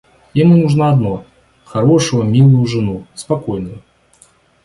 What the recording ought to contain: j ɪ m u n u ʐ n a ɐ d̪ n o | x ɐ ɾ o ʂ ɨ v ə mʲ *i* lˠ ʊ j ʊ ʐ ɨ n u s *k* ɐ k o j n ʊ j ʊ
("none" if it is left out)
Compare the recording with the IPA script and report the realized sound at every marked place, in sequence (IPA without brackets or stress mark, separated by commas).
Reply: i, p